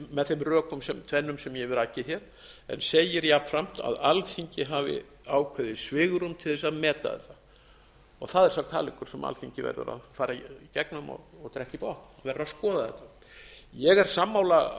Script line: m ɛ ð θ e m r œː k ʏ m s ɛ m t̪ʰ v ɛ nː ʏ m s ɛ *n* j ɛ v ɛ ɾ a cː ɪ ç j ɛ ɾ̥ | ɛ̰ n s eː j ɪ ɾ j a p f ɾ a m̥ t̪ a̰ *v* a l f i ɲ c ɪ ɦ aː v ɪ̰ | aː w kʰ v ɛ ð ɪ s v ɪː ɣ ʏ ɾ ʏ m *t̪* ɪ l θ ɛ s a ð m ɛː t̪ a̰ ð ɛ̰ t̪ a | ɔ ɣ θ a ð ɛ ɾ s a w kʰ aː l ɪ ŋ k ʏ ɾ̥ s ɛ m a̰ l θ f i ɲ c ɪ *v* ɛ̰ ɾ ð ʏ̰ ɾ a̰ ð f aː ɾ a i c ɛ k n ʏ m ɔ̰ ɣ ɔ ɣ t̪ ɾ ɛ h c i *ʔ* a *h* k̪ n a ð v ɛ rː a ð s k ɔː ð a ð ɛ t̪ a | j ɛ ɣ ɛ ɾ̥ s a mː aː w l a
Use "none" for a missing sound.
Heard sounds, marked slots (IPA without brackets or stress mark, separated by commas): m, ð, t̪ʰ, v, p, h